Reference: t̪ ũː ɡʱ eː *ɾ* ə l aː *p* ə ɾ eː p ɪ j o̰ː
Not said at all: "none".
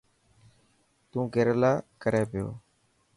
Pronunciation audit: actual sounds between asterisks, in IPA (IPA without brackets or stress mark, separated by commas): ɾ, k